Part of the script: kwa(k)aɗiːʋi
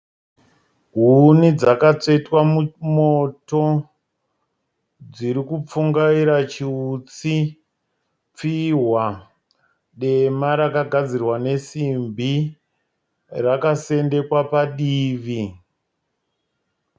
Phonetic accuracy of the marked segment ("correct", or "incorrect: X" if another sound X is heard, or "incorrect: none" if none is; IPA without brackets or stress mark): incorrect: p